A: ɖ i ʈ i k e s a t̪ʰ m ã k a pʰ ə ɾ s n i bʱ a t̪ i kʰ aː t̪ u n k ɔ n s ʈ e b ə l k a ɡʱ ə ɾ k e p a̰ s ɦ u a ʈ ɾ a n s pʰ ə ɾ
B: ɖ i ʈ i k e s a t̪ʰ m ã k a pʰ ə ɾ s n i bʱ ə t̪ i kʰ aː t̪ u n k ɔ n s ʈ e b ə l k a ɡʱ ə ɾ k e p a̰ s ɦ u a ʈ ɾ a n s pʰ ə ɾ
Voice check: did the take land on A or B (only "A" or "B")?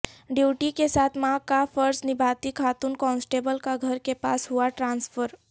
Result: A